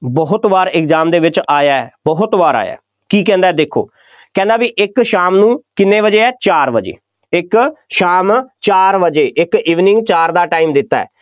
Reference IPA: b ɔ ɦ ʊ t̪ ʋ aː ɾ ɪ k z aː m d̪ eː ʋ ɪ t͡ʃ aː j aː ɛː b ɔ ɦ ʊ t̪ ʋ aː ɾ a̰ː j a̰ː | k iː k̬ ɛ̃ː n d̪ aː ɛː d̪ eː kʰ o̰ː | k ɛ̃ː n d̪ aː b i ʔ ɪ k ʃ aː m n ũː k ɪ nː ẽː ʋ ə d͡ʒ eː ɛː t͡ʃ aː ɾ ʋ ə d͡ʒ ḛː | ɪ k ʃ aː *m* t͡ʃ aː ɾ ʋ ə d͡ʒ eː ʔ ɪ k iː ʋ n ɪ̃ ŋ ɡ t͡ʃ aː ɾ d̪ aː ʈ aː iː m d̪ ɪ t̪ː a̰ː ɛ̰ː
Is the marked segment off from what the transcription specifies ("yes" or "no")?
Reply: no